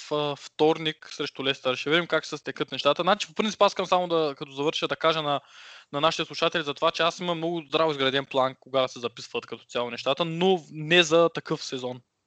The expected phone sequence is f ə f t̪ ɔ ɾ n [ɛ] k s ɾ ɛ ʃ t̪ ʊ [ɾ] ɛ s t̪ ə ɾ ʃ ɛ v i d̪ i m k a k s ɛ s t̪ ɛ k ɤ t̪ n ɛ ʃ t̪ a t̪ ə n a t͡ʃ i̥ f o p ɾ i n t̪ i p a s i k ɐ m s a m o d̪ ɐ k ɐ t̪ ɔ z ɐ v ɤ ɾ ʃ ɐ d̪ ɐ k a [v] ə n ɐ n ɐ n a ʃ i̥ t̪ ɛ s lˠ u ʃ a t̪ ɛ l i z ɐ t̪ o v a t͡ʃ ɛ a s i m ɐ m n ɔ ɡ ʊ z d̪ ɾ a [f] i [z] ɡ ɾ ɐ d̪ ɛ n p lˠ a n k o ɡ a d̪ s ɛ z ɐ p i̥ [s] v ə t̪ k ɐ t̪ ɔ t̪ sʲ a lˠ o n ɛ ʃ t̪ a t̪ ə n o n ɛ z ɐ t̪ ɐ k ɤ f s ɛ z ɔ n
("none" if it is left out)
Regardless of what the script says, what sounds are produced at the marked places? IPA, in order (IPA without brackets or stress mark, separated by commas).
i, l, ʒ, v, z, s